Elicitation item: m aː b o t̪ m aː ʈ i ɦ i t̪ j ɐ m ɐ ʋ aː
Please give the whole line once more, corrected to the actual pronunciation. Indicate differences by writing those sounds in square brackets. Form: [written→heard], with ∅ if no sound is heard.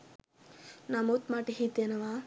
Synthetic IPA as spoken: [m→n] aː [b→m] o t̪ m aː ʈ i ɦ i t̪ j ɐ [m→n] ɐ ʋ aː